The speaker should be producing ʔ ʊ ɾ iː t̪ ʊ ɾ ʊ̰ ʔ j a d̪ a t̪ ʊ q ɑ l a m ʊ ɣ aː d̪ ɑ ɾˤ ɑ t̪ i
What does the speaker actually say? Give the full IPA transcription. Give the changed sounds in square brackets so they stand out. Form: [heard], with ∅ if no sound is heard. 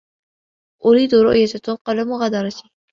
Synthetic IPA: ʔ ʊ ɾ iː [d̪] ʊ ɾ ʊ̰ ʔ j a [t̪] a t̪ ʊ q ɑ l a m ʊ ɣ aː d̪ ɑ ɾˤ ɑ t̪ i